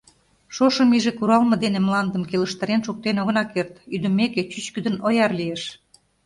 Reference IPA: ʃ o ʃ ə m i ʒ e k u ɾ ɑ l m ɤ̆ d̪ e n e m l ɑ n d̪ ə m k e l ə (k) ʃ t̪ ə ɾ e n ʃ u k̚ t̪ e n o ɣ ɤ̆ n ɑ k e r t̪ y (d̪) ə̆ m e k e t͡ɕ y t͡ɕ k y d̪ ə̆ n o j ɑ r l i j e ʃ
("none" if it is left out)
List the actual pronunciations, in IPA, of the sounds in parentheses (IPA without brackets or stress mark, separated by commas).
none, d̪